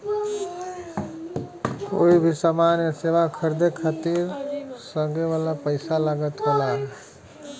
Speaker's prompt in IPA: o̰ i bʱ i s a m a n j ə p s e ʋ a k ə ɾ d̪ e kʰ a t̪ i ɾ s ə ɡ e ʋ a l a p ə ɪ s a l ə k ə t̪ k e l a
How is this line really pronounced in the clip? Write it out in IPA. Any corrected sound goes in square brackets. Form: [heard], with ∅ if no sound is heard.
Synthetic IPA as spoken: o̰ i bʱ i s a m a n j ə [∅] s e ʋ a [kʰ] ə ɾ d̪ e kʰ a t̪ i ɾ s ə ɡ e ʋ a l a p ə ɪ s a l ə [ɡ] ə t̪ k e l a